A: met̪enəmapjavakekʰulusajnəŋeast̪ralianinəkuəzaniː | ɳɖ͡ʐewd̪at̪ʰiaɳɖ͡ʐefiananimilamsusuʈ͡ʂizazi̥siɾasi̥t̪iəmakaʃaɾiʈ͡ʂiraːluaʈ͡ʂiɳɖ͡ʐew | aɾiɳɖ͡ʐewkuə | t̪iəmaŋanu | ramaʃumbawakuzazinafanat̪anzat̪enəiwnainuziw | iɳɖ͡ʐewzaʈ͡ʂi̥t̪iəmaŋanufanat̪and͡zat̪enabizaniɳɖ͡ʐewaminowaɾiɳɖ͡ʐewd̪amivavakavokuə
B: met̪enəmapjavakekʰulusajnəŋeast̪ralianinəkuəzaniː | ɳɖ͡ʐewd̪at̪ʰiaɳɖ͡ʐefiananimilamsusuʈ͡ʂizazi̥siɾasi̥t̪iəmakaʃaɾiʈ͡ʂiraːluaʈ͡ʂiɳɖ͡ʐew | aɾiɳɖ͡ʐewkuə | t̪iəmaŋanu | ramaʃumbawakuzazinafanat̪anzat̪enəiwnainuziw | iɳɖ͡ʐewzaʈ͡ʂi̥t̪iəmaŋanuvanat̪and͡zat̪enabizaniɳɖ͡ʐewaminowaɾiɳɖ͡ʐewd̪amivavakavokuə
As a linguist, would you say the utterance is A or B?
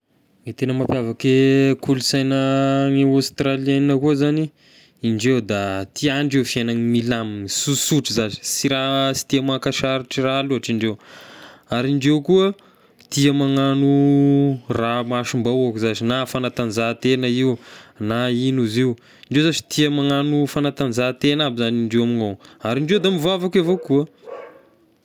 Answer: A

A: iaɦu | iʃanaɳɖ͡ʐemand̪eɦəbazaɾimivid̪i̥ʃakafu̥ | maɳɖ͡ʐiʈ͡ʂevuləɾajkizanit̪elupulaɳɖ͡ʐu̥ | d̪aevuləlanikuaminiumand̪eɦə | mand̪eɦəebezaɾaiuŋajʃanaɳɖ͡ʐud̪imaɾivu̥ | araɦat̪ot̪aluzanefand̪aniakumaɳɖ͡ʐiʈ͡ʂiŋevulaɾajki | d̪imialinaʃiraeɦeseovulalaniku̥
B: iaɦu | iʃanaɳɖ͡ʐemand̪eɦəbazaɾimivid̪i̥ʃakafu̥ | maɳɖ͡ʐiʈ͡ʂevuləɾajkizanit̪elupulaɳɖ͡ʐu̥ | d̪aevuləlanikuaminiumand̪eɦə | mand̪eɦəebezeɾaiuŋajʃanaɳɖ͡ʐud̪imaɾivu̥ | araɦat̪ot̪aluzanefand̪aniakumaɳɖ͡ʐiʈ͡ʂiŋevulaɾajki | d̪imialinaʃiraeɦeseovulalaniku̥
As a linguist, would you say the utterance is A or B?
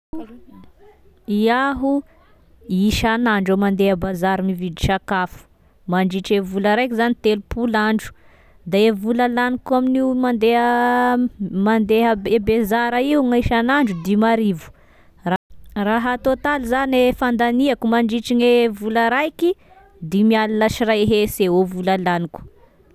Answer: A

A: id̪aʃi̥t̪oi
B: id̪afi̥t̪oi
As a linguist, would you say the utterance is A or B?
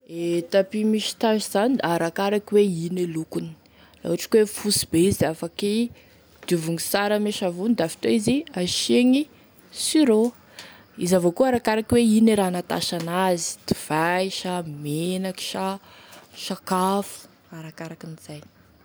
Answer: B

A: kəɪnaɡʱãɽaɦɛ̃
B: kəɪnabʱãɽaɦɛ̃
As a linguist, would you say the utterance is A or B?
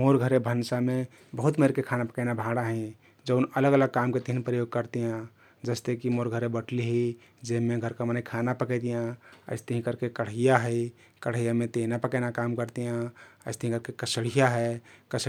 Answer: B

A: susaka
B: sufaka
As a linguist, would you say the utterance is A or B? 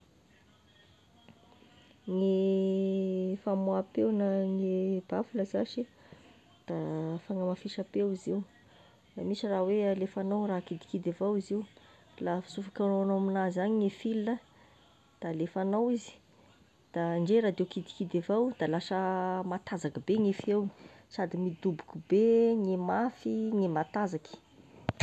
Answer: B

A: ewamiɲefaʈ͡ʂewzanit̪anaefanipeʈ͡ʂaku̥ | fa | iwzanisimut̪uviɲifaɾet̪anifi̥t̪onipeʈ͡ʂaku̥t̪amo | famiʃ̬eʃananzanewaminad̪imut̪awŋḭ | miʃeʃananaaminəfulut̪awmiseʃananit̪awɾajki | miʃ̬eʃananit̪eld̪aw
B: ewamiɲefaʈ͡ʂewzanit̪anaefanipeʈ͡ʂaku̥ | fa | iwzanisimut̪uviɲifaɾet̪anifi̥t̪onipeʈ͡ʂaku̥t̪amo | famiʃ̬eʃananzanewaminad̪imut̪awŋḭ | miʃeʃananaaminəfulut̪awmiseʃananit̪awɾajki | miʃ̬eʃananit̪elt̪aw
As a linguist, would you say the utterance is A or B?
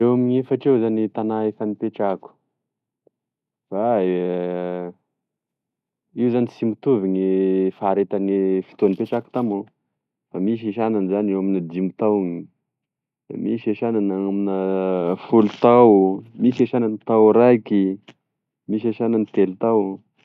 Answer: B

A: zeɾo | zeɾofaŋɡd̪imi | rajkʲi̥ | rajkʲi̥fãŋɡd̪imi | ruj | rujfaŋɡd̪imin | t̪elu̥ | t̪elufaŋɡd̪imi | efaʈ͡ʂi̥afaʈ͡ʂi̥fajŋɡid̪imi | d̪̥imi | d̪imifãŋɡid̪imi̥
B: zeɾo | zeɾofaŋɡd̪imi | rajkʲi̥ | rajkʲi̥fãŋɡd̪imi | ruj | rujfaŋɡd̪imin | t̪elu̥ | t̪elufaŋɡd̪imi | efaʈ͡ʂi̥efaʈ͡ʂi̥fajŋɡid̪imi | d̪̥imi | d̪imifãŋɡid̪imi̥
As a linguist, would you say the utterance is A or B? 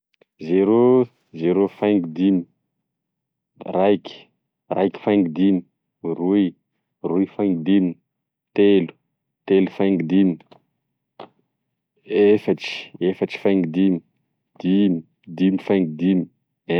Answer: B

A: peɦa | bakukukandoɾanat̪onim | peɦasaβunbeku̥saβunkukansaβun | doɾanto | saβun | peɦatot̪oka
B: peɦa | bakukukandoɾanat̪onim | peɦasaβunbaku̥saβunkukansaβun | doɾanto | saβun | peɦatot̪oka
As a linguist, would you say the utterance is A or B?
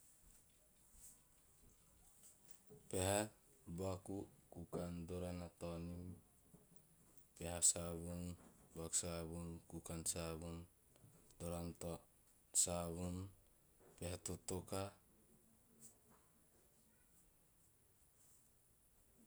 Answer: B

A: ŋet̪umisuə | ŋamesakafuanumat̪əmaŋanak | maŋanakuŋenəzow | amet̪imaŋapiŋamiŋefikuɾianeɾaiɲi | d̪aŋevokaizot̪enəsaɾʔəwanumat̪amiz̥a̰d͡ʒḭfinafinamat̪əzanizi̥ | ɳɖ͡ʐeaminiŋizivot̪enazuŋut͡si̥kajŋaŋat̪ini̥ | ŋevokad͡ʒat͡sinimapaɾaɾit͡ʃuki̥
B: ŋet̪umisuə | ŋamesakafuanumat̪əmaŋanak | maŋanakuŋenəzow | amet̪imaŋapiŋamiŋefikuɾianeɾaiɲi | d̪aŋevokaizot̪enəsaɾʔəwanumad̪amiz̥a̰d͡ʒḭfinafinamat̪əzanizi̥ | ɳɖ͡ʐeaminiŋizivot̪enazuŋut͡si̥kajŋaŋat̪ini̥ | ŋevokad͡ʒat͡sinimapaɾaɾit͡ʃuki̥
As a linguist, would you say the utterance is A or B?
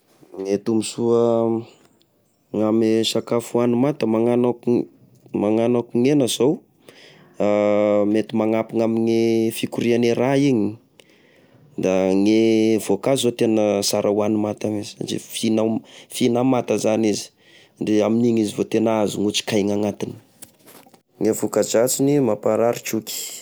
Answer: A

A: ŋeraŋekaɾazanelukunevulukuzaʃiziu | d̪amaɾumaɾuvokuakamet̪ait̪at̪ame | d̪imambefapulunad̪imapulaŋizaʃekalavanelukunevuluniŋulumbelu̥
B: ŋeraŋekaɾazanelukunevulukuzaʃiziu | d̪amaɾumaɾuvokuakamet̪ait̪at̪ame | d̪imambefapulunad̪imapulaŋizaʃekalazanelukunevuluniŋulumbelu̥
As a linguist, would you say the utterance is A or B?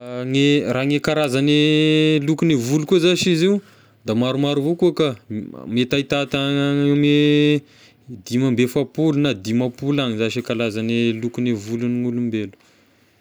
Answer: B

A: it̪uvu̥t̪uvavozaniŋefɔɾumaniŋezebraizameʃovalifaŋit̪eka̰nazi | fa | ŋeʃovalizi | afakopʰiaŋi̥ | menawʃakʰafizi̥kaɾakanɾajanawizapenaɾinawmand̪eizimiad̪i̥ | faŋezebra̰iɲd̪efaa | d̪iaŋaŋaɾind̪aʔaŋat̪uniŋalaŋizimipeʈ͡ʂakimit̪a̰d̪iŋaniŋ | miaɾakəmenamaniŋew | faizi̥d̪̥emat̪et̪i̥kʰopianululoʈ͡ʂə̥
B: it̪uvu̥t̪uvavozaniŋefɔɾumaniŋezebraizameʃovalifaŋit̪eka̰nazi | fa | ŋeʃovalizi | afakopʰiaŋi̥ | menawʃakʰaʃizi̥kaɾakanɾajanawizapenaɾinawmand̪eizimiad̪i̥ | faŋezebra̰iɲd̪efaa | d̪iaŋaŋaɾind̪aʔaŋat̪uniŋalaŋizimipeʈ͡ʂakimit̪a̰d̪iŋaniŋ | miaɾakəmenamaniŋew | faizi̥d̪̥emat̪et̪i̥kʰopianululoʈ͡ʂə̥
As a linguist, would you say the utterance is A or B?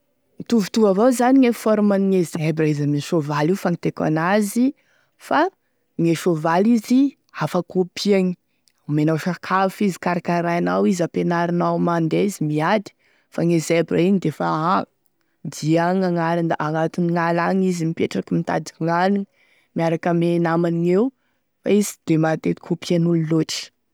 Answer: A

